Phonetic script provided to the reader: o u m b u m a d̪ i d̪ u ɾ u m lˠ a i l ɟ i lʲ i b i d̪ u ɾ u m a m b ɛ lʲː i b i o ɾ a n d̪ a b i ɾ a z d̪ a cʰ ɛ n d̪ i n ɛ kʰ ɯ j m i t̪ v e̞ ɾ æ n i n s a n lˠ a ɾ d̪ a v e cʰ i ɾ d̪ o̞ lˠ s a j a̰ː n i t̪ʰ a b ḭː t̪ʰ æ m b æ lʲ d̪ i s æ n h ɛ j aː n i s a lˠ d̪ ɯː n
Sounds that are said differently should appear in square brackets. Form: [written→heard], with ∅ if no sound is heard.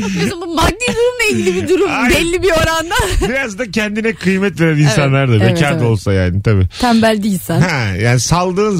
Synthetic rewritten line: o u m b u m a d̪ i d̪ u ɾ u m lˠ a i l ɟ i lʲ i b i d̪ u ɾ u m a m b ɛ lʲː i b i o ɾ a n d̪ a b i ɾ a z d̪ a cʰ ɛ n d̪ i n ɛ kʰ ɯ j m [i→ɛ] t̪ v e̞ ɾ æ n i n s a n lˠ a ɾ d̪ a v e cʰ [i→a] ɾ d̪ o̞ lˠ s a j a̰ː n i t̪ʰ a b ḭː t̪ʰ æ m b æ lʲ d̪ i s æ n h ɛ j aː n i s a lˠ d̪ ɯː n